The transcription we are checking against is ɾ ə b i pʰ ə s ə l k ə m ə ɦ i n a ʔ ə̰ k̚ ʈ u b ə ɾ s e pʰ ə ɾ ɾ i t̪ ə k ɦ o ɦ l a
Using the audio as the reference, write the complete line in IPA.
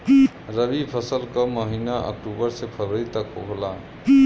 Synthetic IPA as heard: ɾ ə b i pʰ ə s ə l k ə m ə ɦ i n a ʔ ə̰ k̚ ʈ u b ə ɾ s e pʰ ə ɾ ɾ i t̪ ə k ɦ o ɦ l a